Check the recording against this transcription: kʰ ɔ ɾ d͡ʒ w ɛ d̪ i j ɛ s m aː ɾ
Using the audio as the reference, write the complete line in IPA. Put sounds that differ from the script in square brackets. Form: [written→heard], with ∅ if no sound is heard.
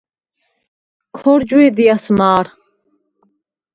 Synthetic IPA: kʰ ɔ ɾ d͡ʒ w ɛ d̪ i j [ɛ→a] s m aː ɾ